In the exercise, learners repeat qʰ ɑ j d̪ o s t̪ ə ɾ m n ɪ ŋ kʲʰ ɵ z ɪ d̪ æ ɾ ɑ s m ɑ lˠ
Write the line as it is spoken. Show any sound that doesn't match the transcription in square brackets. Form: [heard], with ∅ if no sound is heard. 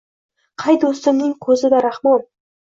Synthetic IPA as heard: qʰ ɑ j d̪ o s t̪ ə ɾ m n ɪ ŋ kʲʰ ɵ z ɪ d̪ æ ɾ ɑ [χ] m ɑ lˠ

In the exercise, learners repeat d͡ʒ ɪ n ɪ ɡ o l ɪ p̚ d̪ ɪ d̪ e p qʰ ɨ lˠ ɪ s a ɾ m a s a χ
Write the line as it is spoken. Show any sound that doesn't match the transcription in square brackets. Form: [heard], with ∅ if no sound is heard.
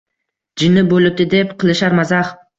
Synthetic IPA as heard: d͡ʒ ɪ n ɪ [b] o l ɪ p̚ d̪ ɪ d̪ e p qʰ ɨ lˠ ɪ [ʃ] a ɾ m a [z] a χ

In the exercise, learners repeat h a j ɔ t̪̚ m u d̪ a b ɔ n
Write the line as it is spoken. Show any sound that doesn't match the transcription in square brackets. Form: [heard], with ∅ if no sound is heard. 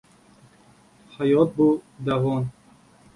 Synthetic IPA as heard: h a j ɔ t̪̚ [b] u d̪ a [v] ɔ n

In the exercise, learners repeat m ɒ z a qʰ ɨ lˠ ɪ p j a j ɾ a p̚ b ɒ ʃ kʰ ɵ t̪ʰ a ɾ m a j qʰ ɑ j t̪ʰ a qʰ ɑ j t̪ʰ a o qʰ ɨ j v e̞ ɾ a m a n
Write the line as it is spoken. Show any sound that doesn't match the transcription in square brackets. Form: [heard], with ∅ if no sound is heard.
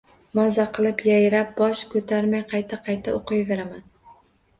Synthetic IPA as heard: m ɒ z a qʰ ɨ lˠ ɪ p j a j ɾ a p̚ b ɒ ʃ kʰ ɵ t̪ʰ a ɾ m a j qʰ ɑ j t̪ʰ a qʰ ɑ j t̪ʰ a o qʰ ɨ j v e̞ ɾ a m a n

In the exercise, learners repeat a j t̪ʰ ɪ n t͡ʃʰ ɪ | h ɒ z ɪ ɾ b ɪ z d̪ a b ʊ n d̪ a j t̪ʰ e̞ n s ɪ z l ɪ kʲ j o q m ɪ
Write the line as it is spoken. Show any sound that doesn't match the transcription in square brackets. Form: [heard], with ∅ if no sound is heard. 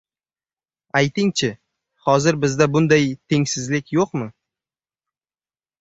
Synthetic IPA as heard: a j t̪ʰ ɪ [ŋ] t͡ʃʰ ɪ | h ɒ z ɪ ɾ b ɪ z d̪ a b ʊ n d̪ a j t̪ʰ e̞ [ŋ] s ɪ z l ɪ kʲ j o q m ɪ

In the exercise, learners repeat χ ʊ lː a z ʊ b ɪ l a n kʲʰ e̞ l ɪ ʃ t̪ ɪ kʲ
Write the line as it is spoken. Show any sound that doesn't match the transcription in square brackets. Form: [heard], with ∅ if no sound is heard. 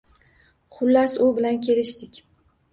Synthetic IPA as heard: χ ʊ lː a [s] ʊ b ɪ l a n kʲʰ e̞ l ɪ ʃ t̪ ɪ kʲ

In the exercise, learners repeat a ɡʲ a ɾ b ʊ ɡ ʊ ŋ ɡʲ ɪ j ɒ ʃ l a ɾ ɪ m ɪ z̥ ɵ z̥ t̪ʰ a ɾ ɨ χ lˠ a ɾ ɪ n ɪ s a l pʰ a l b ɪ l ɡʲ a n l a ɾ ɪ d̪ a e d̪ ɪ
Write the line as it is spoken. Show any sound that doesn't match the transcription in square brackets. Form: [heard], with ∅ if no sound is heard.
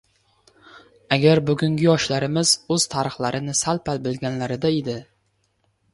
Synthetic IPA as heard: a ɡʲ a ɾ b ʊ ɡ ʊ ŋ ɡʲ ɪ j ɒ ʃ l a ɾ ɪ m ɪ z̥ ɵ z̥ t̪ʰ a ɾ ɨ χ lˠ a ɾ ɪ n ɪ s a l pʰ a l b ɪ l ɡʲ a n l a ɾ ɪ d̪ a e d̪ ɪ

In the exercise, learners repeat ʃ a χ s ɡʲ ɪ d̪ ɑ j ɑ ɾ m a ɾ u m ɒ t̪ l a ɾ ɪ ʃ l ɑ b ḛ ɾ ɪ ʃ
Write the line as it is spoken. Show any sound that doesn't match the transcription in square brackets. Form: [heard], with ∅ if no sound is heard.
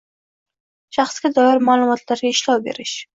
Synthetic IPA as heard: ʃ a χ s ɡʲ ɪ d̪ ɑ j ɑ ɾ m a [l] u m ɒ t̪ l a ɾ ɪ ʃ l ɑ b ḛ ɾ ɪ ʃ

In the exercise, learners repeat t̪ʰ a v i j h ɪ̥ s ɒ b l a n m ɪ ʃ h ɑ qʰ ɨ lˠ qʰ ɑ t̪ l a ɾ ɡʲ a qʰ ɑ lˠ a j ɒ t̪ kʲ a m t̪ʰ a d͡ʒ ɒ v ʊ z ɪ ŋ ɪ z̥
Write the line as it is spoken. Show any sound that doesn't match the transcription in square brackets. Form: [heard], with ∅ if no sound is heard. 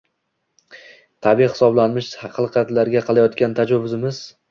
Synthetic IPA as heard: t̪ʰ a [b] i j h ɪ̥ s ɒ b l a n m ɪ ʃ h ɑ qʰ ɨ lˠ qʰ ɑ t̪ l a ɾ ɡʲ a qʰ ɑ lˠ a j ɒ t̪ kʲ a [n] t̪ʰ a d͡ʒ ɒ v ʊ z ɪ [m] ɪ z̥

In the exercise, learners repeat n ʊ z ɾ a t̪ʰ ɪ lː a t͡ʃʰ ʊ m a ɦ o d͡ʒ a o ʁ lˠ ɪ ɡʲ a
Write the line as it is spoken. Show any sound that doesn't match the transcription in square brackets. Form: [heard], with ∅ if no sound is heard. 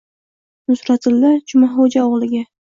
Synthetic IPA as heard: n ʊ [s] ɾ a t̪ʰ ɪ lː a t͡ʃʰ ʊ m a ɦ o d͡ʒ a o ʁ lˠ ɪ ɡʲ a

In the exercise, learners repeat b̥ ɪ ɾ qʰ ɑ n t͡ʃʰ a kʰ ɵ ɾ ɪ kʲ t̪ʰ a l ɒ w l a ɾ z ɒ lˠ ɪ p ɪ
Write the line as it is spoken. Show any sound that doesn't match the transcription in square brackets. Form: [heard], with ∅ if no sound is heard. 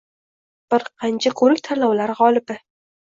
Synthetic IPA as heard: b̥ ɪ ɾ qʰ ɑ n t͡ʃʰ a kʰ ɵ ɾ ɪ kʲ t̪ʰ a l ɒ w l a ɾ [ʁ] ɒ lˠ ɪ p ɪ

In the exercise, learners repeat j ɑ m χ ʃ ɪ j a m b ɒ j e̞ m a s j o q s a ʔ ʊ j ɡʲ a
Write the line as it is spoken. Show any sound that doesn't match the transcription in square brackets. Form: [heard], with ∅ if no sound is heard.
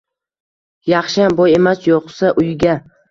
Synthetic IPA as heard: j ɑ [∅] χ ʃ ɪ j a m b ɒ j e̞ m a s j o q s a ʔ ʊ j ɡʲ a

